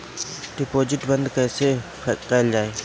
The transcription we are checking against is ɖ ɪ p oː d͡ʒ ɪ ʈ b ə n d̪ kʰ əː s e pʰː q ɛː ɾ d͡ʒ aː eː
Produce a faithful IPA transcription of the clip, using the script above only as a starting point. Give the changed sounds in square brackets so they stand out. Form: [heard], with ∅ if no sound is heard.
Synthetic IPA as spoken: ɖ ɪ p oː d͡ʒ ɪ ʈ b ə n d̪ [k] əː s e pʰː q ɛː [l] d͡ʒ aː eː